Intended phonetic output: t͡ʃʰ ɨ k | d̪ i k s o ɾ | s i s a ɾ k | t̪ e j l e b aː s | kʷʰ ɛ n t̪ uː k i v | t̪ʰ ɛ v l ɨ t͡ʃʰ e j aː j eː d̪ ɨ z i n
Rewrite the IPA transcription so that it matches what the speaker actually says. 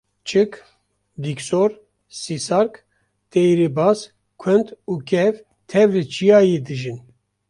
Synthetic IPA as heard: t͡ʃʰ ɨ k | d̪ i k s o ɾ | s i s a ɾ k | t̪ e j ɾ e b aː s | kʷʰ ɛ n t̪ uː k ɛ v | t̪ʰ ɛ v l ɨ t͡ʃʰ i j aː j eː d̪ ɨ ʒ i n